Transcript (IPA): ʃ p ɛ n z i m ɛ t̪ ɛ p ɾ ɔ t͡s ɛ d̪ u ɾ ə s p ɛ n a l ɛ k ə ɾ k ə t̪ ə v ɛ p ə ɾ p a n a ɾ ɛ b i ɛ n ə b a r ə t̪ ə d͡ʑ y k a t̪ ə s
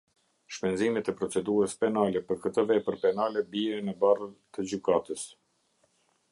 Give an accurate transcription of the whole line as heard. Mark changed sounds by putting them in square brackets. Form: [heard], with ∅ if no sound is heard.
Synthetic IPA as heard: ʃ p ɛ n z i m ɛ t̪ ɛ p ɾ ɔ t͡s ɛ d̪ u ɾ ə s p ɛ n a l ɛ [p] ə ɾ k ə t̪ ə v ɛ p ə ɾ p [ɛ] n a [l] ɛ b i ɛ n ə b a r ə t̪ ə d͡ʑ y k a t̪ ə s